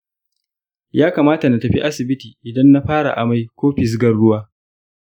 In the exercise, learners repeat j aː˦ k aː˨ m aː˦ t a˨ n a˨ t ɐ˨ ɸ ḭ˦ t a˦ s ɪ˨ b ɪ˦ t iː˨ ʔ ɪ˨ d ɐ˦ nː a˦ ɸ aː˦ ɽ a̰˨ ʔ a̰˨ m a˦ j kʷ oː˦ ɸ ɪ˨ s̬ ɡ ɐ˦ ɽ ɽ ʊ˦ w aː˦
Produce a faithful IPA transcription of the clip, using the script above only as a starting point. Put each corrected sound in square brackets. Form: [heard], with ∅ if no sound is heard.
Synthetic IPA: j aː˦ k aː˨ m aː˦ t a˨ n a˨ t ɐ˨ ɸ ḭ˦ [ʔ] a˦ s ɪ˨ b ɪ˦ t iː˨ ʔ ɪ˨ d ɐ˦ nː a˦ ɸ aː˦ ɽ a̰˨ ʔ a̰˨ m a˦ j kʷ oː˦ ɸ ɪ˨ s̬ ɡ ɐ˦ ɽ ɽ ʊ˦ w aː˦